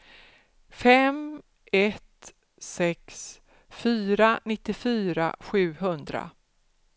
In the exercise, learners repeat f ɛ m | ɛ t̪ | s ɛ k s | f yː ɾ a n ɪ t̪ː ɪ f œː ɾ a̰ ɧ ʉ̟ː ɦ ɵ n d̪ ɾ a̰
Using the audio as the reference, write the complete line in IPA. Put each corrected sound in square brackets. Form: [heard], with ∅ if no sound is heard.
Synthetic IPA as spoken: f ɛ m | ɛ t̪ | s ɛ k s | f yː ɾ a n ɪ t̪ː ɪ f [yː] ɾ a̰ ɧ ʉ̟ː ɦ ɵ n d̪ ɾ a̰